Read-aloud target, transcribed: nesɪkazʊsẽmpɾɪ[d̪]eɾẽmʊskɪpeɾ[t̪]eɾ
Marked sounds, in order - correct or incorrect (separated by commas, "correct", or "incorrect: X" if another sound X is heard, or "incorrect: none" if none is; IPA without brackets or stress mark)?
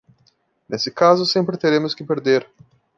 incorrect: t̪, incorrect: d̪